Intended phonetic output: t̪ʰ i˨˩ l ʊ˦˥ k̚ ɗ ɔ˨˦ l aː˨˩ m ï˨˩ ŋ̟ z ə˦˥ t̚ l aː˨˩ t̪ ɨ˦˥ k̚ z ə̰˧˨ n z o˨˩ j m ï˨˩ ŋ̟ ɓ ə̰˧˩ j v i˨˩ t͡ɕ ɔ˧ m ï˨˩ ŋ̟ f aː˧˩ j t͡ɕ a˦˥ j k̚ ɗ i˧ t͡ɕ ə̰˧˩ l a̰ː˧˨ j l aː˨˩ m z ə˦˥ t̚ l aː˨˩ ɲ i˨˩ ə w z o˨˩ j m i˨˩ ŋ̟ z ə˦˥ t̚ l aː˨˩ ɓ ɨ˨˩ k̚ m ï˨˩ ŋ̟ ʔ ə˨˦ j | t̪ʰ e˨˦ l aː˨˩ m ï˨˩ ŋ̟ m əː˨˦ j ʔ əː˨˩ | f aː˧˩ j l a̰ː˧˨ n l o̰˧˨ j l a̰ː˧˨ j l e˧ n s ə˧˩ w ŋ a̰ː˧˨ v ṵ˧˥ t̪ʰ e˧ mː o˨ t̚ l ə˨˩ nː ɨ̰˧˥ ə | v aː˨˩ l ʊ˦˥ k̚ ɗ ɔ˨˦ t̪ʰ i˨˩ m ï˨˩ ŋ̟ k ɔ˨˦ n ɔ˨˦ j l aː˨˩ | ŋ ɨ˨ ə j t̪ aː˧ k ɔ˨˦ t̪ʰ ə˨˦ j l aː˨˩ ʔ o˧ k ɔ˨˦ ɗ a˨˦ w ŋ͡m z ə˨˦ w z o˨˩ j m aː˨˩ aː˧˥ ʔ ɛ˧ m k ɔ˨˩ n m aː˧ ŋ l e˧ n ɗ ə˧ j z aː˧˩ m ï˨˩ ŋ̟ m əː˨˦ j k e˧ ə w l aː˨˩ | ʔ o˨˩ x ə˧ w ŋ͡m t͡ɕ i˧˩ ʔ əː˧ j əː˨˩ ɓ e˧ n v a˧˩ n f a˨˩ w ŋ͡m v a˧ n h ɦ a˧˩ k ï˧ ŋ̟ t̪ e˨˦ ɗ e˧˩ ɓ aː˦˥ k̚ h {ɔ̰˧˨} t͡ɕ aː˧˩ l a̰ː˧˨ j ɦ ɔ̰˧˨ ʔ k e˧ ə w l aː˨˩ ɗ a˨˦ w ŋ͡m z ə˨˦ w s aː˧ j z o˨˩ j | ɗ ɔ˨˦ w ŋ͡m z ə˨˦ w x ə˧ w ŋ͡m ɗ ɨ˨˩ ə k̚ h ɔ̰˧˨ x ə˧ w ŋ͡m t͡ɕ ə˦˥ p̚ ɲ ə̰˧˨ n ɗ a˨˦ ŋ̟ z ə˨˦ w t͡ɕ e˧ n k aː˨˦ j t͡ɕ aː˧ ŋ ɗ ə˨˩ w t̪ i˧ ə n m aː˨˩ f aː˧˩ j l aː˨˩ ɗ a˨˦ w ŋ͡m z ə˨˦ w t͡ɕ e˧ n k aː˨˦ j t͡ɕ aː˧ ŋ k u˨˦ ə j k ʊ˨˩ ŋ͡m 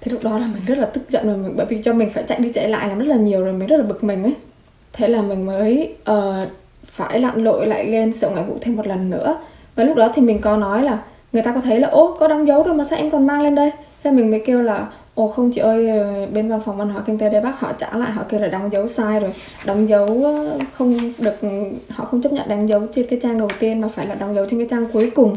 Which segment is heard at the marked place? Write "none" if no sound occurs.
ɔ̰˧˨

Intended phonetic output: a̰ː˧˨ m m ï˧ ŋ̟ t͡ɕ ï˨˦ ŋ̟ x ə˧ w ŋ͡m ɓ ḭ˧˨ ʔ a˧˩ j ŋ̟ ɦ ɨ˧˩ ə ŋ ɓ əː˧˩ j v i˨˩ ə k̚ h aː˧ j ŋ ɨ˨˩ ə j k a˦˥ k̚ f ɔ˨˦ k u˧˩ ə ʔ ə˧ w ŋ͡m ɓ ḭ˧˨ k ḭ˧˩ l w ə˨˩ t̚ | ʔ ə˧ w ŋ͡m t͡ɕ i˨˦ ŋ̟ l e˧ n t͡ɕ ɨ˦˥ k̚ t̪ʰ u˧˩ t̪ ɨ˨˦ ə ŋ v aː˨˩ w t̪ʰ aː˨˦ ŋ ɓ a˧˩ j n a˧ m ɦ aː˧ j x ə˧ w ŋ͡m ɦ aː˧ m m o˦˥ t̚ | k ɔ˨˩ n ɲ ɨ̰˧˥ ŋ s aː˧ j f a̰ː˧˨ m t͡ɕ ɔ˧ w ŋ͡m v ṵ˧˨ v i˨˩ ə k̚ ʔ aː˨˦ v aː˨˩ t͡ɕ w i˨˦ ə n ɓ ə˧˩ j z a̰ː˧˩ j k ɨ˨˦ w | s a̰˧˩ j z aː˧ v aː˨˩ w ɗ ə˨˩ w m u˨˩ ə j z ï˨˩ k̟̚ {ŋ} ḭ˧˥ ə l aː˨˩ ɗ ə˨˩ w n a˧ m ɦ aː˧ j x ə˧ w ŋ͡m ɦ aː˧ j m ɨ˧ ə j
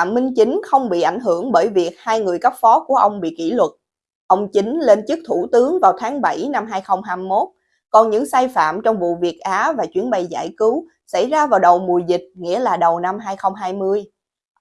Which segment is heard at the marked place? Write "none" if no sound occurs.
ŋ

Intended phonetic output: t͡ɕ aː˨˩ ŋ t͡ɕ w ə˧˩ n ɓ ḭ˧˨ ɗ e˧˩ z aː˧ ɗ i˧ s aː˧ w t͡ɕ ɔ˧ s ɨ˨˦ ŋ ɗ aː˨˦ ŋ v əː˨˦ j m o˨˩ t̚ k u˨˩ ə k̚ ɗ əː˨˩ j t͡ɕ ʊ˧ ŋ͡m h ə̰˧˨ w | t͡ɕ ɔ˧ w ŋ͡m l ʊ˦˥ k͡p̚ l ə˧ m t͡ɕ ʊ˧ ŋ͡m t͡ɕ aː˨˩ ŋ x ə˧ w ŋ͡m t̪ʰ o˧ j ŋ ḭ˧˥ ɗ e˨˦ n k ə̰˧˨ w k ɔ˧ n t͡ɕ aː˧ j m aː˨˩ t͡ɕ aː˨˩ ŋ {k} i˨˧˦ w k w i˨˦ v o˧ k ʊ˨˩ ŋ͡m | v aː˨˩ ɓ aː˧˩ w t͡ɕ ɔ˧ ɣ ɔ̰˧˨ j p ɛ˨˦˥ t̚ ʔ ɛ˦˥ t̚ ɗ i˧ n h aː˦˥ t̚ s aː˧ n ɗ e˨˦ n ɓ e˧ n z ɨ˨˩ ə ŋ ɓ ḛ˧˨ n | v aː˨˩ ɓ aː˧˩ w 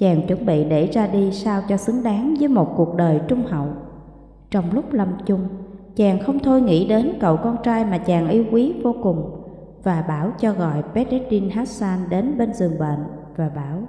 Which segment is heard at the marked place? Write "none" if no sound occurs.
ʔ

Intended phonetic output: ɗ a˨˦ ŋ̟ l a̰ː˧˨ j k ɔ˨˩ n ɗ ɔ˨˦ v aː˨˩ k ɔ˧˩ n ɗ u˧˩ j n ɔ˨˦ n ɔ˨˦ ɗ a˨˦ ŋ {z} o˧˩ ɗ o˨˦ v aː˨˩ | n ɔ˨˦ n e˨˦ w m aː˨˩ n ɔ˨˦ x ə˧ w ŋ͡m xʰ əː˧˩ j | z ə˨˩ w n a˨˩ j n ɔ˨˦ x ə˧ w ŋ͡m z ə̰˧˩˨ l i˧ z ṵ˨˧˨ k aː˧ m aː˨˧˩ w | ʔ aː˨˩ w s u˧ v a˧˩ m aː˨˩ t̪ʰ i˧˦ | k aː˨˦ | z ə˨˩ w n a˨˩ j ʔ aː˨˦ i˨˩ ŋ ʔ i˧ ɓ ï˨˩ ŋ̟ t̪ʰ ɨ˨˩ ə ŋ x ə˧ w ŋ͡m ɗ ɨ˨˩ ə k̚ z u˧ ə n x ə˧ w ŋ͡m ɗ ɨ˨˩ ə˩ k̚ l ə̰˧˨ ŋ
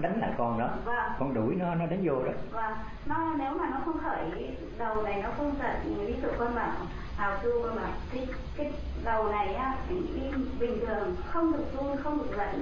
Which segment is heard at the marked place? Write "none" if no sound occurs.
z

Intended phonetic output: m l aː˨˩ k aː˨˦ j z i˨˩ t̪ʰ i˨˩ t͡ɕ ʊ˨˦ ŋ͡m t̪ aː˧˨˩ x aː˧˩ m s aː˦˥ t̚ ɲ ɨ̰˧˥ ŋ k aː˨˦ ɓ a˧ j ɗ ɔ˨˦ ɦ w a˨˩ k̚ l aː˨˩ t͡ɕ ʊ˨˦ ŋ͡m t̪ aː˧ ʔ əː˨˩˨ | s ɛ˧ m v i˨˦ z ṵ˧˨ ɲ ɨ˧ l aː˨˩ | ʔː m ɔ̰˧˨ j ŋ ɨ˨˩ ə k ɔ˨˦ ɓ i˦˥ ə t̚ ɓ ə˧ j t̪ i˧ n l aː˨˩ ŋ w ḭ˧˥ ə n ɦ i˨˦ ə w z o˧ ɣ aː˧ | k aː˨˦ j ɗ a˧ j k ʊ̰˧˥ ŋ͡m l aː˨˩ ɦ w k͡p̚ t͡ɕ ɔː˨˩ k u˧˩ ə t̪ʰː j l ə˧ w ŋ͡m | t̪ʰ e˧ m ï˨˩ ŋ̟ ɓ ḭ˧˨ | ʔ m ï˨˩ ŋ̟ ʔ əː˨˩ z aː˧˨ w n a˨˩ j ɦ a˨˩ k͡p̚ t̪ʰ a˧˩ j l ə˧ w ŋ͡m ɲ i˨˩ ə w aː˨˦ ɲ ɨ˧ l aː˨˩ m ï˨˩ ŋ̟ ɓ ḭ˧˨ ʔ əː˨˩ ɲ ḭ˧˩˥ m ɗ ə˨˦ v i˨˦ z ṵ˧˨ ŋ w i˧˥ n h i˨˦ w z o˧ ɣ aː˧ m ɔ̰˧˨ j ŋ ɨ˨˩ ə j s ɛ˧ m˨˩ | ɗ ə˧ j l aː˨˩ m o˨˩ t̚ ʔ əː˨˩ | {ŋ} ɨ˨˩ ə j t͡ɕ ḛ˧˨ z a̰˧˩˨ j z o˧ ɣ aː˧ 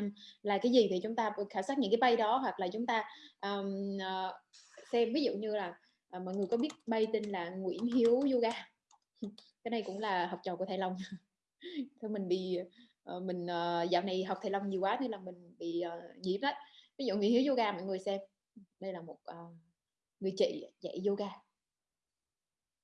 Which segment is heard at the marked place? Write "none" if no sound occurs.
ŋ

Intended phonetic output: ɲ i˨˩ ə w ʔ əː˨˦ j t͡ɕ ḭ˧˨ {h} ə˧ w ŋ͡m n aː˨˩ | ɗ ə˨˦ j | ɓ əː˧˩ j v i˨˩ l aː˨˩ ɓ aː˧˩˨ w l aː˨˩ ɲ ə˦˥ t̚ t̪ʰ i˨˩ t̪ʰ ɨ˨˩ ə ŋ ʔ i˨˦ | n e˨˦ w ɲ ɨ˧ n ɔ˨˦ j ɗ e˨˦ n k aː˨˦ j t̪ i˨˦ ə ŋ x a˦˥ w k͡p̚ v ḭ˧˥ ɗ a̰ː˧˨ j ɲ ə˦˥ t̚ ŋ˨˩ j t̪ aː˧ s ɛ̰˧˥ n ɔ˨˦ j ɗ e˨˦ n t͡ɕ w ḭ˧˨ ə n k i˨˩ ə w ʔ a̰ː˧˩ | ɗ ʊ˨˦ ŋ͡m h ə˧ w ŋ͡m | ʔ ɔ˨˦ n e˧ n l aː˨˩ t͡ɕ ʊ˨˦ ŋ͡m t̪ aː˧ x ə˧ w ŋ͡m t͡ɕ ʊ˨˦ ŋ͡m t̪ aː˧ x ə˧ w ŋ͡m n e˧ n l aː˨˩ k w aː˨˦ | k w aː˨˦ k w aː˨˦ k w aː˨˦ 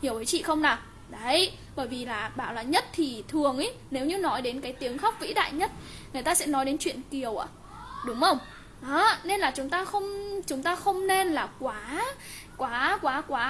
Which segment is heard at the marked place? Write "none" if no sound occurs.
x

